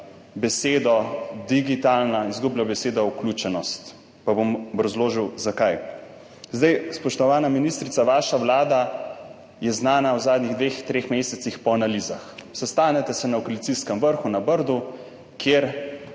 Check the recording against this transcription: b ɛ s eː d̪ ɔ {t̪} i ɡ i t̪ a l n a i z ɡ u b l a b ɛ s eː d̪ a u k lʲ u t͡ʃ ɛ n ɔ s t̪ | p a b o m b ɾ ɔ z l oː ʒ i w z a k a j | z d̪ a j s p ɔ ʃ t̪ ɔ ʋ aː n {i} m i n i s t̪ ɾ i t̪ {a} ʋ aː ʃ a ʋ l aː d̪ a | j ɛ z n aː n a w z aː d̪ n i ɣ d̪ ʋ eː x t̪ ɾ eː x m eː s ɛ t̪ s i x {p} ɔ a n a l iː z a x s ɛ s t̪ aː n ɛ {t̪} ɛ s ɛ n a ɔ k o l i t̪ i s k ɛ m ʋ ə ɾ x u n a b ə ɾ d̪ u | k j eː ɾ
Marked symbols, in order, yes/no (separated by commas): no, no, yes, yes, yes